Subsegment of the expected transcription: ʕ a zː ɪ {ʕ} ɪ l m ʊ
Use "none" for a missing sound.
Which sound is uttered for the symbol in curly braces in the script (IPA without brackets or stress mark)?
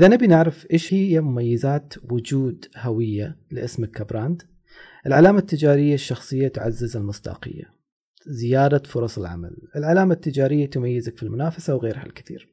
z